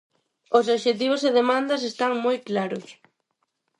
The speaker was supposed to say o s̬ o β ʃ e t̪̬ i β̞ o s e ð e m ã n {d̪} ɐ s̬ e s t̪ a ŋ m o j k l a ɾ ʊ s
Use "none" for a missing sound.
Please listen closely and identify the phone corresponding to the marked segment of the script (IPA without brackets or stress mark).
d̪